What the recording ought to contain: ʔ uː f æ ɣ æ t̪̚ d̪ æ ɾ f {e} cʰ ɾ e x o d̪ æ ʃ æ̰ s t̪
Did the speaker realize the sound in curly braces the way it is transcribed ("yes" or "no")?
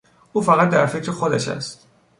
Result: yes